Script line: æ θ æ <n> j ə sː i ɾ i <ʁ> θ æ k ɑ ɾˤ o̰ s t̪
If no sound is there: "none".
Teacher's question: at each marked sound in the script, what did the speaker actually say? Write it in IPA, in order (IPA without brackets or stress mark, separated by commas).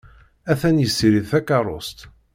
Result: n, ð